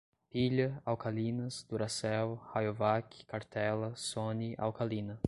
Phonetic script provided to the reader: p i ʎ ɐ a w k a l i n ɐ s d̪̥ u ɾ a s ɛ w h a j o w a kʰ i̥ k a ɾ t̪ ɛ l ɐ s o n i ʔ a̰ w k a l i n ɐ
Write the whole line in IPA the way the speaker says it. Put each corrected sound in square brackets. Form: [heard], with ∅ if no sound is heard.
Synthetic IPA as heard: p i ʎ ɐ a w k a l i n ɐ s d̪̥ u ɾ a s ɛ w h a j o [v] a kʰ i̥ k a ɾ t̪ ɛ l ɐ s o n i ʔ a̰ w k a l i n ɐ

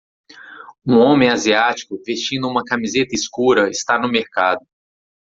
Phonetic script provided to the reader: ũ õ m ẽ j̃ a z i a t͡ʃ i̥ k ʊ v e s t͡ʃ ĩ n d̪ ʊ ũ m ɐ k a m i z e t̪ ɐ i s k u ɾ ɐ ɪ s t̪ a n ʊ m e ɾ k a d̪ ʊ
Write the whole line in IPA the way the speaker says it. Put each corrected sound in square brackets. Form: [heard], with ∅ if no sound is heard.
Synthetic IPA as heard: ũ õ m ẽ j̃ a z i a t͡ʃ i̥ k ʊ v e s t͡ʃ ĩ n d̪ ʊ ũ m ɐ k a m i z e t̪ ɐ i s k u ɾ ɐ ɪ s t̪ a n ʊ m e ɾ k a d̪ ʊ

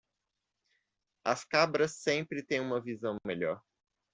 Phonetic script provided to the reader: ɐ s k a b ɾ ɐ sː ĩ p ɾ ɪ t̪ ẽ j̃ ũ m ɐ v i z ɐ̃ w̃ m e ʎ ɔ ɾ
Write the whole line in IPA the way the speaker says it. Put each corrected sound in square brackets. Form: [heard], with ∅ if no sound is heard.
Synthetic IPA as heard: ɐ s k a b ɾ ɐ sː [ẽ] p ɾ ɪ t̪ ẽ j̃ ũ m ɐ v i z ɐ̃ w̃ m e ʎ ɔ ɾ

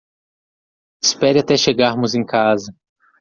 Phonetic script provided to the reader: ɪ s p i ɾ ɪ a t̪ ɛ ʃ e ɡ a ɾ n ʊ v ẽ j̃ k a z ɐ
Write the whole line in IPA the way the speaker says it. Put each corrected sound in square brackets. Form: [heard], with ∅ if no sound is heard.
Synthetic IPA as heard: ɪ s p [ɛ] ɾ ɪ a t̪ ɛ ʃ e ɡ a ɾ [m] ʊ [z] ẽ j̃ k a z ɐ

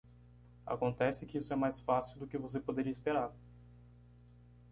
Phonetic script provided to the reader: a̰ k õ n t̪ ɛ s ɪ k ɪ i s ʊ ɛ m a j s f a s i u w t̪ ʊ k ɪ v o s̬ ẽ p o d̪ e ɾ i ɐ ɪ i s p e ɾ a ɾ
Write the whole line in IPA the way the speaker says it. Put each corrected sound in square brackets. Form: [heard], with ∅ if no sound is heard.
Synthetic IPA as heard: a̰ k õ n t̪ ɛ s ɪ k ɪ i s ʊ ɛ m a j s f a s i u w [d̪] ʊ k ɪ v o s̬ [e] p o d̪ e ɾ i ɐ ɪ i s p e ɾ a ɾ

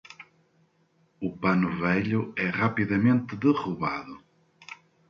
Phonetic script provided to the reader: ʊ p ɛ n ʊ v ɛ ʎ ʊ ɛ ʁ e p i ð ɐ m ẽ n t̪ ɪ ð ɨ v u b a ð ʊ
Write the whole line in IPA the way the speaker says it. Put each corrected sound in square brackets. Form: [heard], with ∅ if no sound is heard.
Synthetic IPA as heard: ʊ p [a] n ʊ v ɛ ʎ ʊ ɛ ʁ [a] p i ð ɐ m ẽ n t̪ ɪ ð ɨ [ʁ] u [β] a ð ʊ

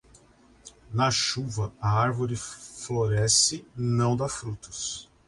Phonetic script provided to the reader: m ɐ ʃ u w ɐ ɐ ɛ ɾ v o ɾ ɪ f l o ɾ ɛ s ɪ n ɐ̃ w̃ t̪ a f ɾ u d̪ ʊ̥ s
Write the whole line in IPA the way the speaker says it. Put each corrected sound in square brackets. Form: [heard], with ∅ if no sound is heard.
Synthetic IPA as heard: [n] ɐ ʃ u [v] ɐ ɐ [a] ɾ v o ɾ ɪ f l o ɾ ɛ s ɪ n ɐ̃ w̃ [d̪] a f ɾ u [t̪] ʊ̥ s

